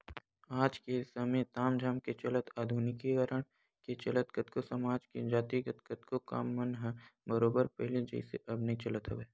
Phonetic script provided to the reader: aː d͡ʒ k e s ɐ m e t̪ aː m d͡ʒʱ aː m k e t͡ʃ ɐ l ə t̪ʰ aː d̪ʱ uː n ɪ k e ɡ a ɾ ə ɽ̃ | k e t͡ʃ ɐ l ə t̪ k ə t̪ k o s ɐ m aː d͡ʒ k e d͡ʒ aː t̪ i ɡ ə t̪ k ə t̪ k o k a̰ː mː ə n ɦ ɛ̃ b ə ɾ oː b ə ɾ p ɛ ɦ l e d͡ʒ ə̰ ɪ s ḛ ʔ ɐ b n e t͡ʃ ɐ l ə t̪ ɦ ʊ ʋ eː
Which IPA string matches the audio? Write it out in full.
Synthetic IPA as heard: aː d͡ʒ k e s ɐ m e t̪ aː m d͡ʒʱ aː m k e t͡ʃ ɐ l ə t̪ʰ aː d̪ʱ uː n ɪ k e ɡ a ɾ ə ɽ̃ | k e t͡ʃ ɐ l ə t̪ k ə t̪ k o s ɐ m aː d͡ʒ k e d͡ʒ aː t̪ i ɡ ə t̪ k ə t̪ k o k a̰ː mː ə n ɦ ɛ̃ b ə ɾ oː b ə ɾ p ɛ ɦ l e d͡ʒ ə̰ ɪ s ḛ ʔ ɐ b n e t͡ʃ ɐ l ə t̪ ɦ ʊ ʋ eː